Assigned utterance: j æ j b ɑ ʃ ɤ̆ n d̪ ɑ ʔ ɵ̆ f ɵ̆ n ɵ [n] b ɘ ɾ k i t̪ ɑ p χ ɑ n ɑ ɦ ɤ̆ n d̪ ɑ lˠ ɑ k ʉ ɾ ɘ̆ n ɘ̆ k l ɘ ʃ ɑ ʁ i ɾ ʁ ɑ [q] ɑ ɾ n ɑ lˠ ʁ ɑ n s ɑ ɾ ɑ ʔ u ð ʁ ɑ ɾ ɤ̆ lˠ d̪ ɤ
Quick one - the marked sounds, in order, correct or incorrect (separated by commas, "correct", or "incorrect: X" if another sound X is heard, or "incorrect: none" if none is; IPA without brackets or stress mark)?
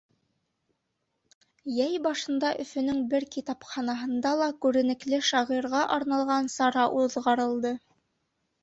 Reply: incorrect: ŋ, incorrect: ʔ